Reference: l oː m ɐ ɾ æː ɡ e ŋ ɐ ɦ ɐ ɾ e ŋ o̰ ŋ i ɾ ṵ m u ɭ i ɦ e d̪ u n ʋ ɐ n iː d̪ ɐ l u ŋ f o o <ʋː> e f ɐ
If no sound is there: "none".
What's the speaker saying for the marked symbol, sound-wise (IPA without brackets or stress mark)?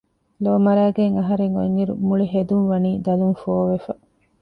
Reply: ʋ